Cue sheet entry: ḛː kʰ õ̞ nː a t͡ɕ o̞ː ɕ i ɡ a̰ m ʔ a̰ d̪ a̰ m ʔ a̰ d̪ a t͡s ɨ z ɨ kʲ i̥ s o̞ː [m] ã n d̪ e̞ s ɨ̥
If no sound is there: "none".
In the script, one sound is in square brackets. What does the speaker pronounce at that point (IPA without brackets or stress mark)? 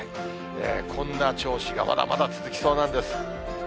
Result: n